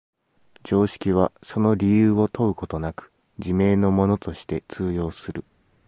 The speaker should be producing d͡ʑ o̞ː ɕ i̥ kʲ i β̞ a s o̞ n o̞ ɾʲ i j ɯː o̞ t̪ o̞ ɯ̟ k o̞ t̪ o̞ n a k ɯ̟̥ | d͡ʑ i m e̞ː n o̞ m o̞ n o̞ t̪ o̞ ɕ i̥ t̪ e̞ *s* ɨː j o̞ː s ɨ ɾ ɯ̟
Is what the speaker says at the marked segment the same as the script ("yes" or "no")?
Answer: no